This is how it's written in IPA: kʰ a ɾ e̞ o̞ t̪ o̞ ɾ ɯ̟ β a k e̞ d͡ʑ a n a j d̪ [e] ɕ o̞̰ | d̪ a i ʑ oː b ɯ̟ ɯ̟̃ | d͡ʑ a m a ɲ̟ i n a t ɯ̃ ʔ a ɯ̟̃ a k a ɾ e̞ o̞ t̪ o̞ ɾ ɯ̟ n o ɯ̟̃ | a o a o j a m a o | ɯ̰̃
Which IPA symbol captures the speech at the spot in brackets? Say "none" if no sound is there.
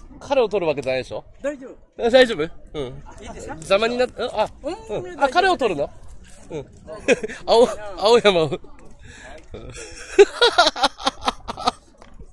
e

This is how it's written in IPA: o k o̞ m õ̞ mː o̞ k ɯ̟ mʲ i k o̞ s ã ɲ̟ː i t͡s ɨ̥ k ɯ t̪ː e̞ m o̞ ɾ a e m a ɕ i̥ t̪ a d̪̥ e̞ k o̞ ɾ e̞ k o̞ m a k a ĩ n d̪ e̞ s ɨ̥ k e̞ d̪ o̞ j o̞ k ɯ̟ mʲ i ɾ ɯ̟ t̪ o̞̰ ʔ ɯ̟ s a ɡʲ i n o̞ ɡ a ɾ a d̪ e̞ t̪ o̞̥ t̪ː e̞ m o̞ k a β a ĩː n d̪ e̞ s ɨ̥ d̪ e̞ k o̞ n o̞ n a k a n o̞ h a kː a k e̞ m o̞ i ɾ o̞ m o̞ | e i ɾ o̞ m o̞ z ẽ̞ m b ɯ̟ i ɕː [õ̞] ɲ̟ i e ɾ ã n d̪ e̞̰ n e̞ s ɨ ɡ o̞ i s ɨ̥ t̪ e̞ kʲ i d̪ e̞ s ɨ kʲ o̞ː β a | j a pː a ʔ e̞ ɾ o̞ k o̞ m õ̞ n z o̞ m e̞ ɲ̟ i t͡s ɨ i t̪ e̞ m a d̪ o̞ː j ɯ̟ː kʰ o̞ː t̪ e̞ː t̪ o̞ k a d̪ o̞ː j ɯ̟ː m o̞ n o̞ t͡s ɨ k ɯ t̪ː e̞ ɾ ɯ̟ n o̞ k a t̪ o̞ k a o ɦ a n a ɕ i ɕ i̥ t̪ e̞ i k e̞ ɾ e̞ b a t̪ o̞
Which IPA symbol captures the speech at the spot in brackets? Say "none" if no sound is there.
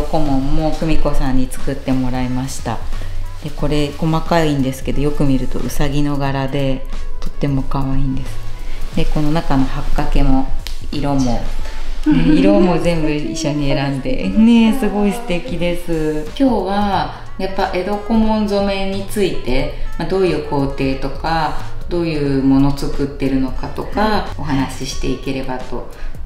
o̞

